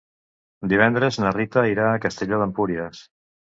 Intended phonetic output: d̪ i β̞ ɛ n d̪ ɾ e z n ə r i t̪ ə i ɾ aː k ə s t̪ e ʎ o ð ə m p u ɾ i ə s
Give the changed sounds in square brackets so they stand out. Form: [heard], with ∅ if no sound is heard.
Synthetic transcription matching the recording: d̪ i β̞ ɛ n d̪ ɾ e z n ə r i t̪ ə i ɾ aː k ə s t̪ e ʎ o ð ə m p u ɾ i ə s